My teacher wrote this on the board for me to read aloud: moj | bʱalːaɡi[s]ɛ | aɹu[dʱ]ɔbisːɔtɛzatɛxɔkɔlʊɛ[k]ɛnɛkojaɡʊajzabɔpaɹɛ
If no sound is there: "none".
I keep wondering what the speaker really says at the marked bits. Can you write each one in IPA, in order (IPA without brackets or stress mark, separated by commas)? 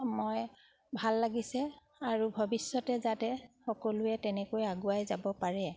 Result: s, bʱ, t